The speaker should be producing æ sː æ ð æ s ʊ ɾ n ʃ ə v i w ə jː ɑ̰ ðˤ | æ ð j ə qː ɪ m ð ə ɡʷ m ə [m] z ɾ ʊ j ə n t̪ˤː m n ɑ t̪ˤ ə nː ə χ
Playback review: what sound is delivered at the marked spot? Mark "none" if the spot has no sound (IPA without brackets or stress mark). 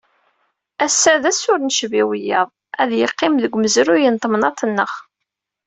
none